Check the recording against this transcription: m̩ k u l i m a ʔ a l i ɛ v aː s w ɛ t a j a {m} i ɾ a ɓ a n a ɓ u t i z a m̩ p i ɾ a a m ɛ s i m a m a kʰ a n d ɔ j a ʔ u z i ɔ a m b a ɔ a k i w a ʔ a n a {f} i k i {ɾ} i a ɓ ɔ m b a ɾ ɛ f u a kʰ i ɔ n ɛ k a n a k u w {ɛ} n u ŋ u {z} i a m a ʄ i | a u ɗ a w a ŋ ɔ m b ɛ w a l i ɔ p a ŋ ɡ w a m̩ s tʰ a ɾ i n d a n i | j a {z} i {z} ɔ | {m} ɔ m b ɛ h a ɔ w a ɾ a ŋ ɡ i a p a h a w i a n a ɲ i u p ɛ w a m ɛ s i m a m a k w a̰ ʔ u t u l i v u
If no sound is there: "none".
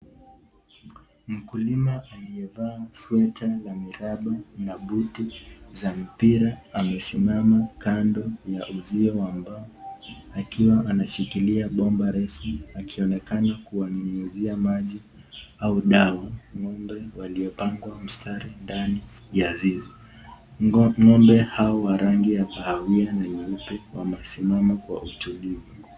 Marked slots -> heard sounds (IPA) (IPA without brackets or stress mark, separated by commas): m, ʃ, l, a, z, z, z, ŋ